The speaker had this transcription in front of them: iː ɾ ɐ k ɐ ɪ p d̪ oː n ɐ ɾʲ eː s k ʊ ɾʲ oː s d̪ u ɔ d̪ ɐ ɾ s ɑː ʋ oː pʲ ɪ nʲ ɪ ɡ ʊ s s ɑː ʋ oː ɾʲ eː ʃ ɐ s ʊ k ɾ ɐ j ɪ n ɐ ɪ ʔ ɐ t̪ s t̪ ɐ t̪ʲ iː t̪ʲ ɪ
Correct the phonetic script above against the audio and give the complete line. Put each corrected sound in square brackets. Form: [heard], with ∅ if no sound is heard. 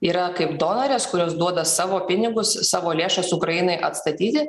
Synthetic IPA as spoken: iː ɾ ɐ k ɐ ɪ p d̪ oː n ɐ ɾʲ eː s k ʊ ɾʲ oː s d̪ u ɔ d̪ ɐ [∅] s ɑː ʋ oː pʲ ɪ nʲ ɪ ɡ ʊ s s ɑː ʋ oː [lʲ] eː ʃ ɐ s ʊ k ɾ ɐ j ɪ n ɐ ɪ ʔ ɐ t̪ s t̪ ɐ t̪ʲ iː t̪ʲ ɪ

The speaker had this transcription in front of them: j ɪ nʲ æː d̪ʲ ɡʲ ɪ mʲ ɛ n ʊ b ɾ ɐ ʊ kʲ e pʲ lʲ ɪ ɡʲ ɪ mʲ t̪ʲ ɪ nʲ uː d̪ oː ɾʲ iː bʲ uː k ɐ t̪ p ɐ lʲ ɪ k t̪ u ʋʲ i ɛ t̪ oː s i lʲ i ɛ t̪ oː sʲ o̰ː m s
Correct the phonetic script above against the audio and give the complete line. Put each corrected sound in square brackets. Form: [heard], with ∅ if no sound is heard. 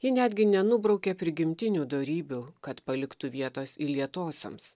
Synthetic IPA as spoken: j ɪ nʲ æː d̪ʲ ɡʲ ɪ [nʲ] ɛ n ʊ b ɾ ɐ ʊ kʲ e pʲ [ɾʲ] ɪ ɡʲ ɪ mʲ t̪ʲ ɪ nʲ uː d̪ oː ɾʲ iː bʲ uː k ɐ t̪ p ɐ lʲ ɪ k t̪ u ʋʲ i ɛ t̪ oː s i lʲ i ɛ t̪ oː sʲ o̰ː m s

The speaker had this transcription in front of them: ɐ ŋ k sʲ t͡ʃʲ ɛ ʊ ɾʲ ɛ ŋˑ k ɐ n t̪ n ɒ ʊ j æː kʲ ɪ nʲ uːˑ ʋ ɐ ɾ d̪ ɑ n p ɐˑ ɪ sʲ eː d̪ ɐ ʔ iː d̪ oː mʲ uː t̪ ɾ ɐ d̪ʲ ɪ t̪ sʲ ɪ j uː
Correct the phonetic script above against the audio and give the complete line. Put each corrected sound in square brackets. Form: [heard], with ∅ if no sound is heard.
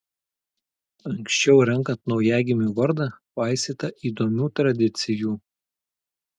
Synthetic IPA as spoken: ɐ ŋ k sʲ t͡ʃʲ ɛ ʊ ɾʲ ɛ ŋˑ k ɐ n t̪ n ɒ ʊ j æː [ɡʲ] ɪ [mʲ] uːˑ ʋ ɐ ɾ d̪ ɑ [∅] p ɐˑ ɪ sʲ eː [t̪] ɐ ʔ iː d̪ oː mʲ uː t̪ ɾ ɐ d̪ʲ ɪ t̪ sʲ ɪ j uː

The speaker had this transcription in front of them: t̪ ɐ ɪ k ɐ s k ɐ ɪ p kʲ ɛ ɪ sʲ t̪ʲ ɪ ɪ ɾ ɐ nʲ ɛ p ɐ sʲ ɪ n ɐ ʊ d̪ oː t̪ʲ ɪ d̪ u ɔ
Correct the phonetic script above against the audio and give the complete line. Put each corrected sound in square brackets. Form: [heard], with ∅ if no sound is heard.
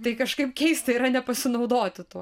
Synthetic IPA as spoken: t̪ ɐ ɪ k ɐ [ʃ] k ɐ ɪ p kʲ ɛ ɪ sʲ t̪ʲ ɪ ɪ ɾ ɐ nʲ ɛ p ɐ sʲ ɪ n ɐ ʊ d̪ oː t̪ʲ ɪ [t̪] u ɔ

